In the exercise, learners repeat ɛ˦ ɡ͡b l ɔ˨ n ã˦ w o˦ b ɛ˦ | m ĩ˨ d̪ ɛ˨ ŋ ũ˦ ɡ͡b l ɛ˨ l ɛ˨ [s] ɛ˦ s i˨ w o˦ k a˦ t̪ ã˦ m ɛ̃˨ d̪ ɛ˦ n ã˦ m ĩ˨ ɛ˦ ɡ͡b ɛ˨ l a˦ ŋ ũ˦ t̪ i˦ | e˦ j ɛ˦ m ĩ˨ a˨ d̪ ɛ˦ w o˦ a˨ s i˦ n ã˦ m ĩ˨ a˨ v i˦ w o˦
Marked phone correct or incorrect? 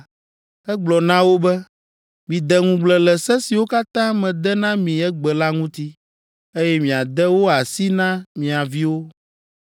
correct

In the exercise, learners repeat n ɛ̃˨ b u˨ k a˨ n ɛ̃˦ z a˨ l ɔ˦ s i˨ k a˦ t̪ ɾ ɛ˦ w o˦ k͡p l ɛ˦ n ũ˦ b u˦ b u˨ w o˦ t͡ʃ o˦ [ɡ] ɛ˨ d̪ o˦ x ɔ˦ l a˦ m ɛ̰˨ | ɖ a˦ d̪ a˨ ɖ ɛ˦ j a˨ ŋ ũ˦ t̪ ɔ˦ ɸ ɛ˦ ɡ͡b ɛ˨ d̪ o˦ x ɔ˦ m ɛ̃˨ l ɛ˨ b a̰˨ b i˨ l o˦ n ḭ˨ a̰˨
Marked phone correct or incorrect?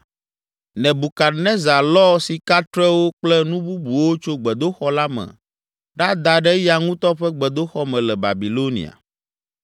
incorrect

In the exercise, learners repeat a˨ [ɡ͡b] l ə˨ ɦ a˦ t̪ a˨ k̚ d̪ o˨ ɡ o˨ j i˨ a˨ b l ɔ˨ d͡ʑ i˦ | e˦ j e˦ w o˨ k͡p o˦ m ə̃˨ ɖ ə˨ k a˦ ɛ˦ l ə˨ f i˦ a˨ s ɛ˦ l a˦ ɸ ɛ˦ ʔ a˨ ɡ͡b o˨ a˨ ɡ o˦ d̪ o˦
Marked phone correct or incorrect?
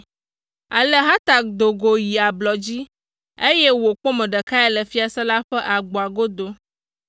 incorrect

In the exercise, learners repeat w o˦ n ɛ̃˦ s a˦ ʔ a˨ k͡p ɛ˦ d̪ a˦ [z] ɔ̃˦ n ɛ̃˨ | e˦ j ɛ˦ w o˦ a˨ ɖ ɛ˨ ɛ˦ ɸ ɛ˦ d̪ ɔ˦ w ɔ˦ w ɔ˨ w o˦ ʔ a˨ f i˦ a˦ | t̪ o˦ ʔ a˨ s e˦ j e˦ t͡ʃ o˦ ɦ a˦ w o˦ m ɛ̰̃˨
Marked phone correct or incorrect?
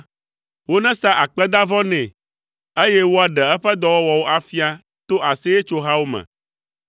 incorrect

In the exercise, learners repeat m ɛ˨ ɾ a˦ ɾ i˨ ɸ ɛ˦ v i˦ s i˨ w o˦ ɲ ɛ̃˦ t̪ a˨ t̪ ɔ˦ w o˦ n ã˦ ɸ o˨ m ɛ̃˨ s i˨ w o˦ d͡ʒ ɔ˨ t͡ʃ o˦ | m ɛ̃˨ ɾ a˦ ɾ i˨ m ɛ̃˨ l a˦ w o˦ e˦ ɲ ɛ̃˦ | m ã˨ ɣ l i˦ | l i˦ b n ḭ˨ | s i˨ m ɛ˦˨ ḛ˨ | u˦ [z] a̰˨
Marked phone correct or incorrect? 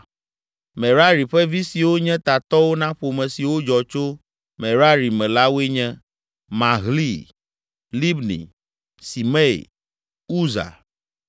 correct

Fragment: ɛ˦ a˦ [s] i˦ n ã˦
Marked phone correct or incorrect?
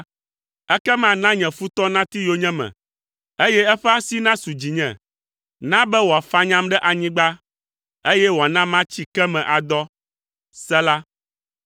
correct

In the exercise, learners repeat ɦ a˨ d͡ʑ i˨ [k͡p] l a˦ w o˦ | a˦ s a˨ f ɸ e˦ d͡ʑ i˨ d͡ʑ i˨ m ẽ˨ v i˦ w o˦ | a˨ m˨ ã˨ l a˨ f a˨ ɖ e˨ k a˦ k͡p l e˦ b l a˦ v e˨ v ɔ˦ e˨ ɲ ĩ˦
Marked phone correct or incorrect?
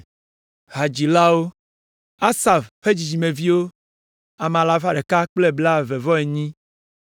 incorrect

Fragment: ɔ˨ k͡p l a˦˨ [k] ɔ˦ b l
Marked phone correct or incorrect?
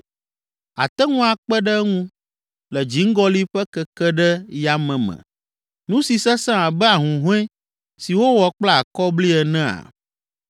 correct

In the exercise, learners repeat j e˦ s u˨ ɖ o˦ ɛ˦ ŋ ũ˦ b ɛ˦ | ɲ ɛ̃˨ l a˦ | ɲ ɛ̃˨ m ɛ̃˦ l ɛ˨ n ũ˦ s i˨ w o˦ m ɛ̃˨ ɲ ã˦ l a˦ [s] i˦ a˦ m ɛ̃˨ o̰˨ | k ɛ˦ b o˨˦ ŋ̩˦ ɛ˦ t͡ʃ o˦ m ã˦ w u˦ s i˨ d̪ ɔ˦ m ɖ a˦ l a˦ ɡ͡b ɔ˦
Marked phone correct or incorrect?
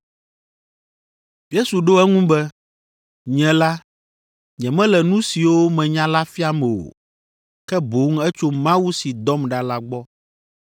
incorrect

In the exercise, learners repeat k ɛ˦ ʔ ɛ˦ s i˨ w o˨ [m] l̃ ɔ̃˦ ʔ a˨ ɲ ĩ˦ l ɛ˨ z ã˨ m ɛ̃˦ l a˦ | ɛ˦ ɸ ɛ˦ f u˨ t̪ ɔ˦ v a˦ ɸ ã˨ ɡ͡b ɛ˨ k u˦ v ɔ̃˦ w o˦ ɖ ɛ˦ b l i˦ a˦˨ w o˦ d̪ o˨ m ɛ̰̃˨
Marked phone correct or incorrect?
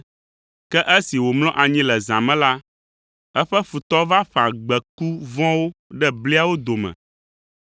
correct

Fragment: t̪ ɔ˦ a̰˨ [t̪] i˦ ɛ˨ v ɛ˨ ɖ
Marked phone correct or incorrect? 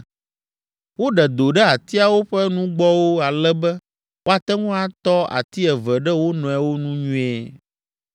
correct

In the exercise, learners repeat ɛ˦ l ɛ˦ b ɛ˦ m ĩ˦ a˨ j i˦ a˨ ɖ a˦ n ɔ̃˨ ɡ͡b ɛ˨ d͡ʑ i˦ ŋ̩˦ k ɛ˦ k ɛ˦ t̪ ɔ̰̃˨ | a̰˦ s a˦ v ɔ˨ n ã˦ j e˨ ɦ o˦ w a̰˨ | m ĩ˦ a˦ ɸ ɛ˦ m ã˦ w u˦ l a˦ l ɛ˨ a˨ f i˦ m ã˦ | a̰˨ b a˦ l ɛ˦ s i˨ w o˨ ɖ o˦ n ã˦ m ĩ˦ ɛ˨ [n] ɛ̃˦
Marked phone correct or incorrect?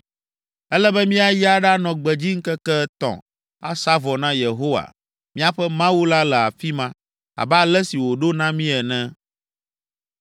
correct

